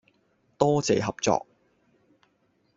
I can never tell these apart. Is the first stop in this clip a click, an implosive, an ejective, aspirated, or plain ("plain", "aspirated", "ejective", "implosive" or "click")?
plain